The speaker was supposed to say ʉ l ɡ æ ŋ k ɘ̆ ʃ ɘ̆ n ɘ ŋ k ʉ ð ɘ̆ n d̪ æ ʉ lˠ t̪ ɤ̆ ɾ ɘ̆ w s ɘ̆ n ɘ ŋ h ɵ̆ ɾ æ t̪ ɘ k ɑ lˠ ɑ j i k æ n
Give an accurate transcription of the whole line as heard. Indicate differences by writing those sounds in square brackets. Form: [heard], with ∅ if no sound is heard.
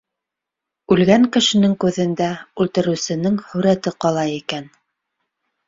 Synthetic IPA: ʉ l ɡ æ ŋ k ɘ̆ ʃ ɘ̆ n ɘ ŋ k ʉ ð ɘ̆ n d̪ æ ʉ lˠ t̪ ɤ̆ ɾ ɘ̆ w s ɘ̆ n ɘ ŋ h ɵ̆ ɾ æ t̪ ɘ [q] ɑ lˠ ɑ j i k æ n